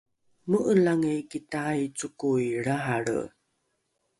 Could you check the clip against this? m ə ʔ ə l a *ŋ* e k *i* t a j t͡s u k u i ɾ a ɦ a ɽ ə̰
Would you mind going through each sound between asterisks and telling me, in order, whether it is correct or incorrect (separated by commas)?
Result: correct, correct